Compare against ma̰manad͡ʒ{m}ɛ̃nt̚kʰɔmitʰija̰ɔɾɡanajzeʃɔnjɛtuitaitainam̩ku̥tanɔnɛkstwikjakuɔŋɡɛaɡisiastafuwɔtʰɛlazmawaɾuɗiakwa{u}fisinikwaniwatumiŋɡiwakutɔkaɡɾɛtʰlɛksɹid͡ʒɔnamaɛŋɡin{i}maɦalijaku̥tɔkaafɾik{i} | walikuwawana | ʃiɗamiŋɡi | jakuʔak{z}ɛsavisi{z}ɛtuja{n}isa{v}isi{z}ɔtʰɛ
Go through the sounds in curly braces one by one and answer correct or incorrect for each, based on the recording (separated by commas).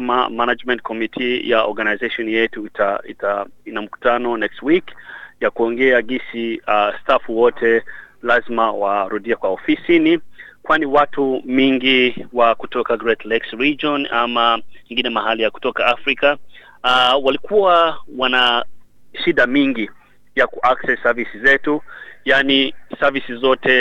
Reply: correct, incorrect, incorrect, incorrect, incorrect, correct, correct, correct, correct